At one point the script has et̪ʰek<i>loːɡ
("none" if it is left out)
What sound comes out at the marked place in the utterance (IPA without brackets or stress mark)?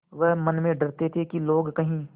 i